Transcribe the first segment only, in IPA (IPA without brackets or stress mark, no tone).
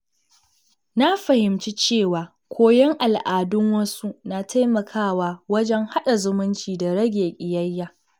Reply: n